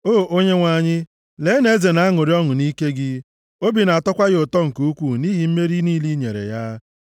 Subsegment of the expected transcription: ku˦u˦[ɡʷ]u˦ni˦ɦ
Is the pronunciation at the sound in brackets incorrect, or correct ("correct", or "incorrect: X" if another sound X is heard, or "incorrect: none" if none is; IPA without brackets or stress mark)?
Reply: incorrect: kʷ